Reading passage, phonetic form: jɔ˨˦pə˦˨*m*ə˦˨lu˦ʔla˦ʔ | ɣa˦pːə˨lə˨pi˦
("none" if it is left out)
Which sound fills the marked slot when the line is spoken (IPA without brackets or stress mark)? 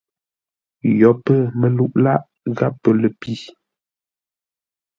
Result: m